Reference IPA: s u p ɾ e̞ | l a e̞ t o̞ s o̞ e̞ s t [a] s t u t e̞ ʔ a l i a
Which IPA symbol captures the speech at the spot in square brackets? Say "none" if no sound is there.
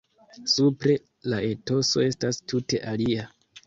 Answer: a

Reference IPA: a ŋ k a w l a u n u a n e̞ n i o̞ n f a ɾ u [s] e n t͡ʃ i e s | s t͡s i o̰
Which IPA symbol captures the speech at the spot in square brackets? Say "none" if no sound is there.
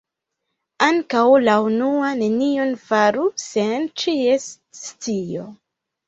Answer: s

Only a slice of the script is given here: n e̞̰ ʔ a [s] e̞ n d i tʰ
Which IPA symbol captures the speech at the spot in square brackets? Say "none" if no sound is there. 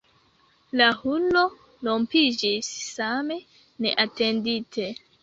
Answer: t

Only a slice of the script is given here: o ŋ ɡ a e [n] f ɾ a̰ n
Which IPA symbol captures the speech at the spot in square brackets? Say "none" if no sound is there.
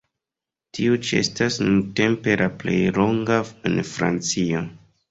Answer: n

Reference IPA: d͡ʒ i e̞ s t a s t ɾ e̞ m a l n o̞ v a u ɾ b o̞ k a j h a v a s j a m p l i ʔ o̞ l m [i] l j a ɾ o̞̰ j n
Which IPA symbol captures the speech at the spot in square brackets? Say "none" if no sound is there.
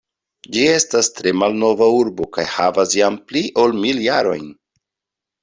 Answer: i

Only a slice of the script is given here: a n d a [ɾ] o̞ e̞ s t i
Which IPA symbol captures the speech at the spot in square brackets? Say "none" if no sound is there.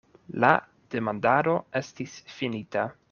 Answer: ɾ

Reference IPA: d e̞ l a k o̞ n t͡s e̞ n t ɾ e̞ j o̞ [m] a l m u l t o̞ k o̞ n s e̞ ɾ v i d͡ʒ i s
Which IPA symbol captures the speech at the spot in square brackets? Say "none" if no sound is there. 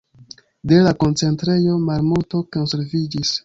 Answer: m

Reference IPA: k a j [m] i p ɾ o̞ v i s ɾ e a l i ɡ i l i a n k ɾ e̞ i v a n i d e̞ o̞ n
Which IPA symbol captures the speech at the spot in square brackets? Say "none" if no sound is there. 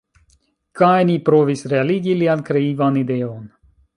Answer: n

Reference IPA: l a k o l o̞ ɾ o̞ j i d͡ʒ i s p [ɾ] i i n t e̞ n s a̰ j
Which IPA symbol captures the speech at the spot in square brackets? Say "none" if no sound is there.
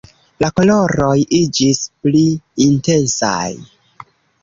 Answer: l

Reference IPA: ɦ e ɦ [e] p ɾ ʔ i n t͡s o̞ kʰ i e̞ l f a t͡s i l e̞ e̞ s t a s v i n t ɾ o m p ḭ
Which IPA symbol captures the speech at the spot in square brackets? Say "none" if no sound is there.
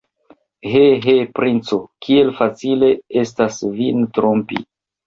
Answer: e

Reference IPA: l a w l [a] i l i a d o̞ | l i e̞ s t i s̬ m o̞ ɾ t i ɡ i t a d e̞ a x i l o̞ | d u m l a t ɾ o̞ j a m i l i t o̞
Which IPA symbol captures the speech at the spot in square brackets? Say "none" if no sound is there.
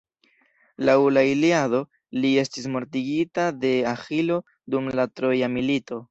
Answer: a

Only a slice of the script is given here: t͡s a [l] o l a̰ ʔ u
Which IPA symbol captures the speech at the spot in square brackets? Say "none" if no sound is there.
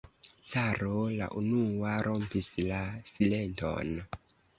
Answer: ɾ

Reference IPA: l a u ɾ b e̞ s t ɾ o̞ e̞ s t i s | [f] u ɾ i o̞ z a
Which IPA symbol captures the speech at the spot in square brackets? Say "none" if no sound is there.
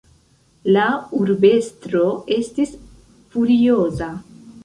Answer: f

